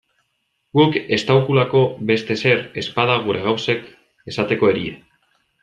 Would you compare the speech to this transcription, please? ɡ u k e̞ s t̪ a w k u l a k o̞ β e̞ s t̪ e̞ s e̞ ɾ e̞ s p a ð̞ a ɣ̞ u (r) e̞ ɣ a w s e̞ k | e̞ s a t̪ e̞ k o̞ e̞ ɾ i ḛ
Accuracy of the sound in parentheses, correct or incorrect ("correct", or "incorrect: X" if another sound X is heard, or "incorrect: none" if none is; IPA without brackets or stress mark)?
incorrect: ɾ